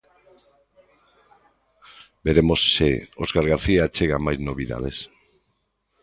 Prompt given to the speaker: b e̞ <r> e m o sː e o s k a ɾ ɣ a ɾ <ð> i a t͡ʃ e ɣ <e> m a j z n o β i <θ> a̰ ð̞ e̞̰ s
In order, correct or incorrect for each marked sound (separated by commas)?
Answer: incorrect, incorrect, incorrect, incorrect